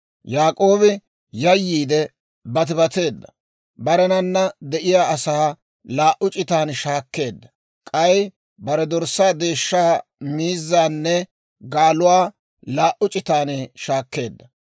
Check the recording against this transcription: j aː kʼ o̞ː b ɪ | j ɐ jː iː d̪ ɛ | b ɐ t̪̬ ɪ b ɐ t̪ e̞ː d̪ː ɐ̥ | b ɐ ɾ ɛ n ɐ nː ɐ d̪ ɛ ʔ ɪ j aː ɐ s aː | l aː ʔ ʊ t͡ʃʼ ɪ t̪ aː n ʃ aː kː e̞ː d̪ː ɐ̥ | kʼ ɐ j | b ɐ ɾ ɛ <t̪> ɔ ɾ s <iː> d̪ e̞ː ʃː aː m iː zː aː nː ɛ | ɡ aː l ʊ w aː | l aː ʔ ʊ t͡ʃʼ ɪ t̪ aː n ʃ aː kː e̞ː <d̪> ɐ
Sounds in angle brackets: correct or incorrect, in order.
incorrect: d̪, incorrect: aː, incorrect: d̪ː

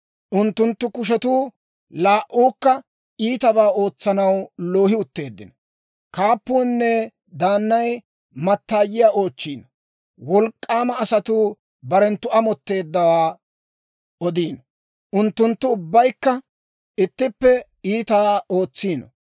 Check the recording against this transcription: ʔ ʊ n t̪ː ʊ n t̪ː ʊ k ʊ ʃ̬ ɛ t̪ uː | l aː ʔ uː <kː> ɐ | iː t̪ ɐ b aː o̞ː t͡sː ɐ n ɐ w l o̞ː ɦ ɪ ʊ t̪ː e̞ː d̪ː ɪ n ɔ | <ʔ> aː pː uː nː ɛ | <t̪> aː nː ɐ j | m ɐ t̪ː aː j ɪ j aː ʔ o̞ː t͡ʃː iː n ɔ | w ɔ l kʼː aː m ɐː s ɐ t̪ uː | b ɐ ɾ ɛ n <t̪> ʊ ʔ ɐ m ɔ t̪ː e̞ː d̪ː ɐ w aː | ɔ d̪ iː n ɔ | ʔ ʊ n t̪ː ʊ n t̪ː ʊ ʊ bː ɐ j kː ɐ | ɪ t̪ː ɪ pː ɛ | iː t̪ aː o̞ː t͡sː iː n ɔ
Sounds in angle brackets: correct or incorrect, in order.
correct, incorrect: k, incorrect: d̪, correct

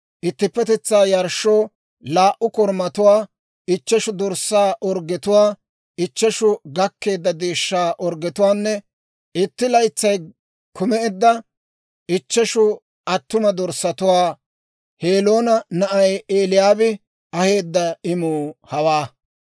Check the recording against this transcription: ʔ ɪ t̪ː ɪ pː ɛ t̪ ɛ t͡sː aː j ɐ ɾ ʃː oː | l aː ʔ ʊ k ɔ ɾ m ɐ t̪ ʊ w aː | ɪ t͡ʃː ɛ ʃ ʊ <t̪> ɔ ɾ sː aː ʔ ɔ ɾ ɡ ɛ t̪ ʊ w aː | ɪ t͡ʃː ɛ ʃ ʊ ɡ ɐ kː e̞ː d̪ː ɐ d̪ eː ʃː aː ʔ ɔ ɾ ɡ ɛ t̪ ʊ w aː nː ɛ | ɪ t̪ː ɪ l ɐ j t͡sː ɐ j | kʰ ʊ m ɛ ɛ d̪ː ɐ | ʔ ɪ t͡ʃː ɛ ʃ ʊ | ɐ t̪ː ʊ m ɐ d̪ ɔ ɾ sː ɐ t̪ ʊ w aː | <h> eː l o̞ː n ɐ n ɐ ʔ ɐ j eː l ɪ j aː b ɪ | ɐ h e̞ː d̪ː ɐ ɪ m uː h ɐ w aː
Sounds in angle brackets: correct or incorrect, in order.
incorrect: d̪, correct

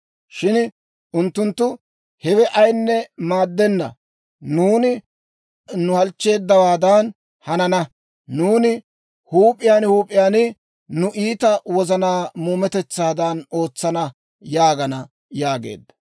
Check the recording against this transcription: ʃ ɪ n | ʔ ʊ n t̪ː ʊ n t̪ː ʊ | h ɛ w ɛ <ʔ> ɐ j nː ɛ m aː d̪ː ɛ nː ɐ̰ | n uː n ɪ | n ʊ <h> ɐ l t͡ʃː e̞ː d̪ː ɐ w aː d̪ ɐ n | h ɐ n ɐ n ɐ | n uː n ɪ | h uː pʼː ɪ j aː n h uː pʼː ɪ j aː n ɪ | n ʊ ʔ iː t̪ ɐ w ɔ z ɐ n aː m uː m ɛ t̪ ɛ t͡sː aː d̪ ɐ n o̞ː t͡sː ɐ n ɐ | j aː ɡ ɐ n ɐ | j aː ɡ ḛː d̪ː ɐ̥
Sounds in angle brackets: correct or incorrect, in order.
correct, correct

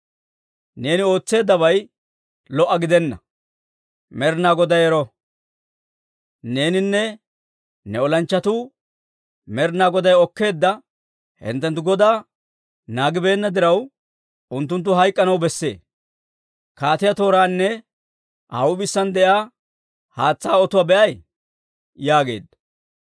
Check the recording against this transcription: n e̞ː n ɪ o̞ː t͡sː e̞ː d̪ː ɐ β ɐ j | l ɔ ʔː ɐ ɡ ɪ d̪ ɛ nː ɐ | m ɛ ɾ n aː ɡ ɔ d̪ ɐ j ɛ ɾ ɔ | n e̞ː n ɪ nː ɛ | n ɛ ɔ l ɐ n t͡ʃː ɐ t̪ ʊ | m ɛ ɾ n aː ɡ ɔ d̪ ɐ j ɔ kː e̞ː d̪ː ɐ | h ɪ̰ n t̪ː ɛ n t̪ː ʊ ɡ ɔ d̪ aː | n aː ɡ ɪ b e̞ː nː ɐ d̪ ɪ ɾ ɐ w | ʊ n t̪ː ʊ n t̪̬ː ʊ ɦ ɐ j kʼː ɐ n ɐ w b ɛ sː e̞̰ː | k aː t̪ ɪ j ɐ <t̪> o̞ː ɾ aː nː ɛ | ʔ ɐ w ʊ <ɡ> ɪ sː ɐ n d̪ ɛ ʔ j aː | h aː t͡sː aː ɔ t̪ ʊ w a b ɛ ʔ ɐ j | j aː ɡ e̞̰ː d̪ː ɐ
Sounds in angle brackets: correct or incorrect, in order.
correct, incorrect: b

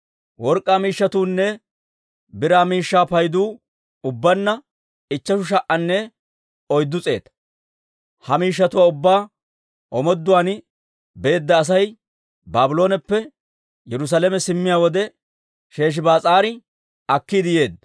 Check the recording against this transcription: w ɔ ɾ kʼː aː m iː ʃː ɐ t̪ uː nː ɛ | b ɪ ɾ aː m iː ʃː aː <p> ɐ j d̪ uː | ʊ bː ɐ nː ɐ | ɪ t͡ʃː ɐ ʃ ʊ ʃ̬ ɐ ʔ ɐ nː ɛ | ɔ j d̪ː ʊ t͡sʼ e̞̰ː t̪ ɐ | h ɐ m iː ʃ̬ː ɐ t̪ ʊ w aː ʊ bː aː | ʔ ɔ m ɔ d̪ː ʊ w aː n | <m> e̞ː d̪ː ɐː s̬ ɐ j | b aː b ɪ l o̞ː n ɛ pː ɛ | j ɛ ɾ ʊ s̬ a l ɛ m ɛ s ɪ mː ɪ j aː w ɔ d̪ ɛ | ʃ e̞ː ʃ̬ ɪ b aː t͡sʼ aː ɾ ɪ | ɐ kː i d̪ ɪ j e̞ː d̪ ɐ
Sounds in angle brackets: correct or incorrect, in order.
correct, incorrect: b

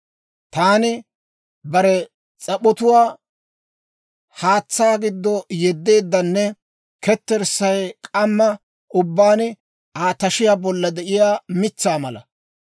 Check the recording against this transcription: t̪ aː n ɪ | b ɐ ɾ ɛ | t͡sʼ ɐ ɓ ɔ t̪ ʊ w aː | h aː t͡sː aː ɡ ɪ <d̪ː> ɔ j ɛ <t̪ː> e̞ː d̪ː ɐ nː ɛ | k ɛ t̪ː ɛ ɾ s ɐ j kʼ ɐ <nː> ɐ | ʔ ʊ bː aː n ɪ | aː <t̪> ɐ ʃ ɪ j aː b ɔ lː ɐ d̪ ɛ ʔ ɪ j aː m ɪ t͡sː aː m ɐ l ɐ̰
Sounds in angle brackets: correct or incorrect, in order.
correct, incorrect: d̪ː, incorrect: mː, correct

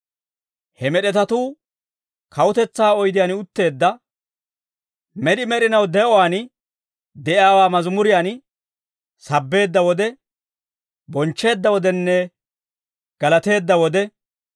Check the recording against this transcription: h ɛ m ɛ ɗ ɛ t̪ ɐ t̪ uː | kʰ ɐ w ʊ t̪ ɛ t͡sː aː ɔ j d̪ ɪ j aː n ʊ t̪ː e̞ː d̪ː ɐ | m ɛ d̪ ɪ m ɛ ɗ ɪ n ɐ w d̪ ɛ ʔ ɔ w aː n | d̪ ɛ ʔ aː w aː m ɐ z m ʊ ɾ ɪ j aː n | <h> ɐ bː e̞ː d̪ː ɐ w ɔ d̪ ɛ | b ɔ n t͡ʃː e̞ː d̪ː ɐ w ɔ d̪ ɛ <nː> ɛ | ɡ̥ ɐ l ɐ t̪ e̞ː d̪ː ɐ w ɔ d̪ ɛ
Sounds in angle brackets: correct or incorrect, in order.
incorrect: s, correct

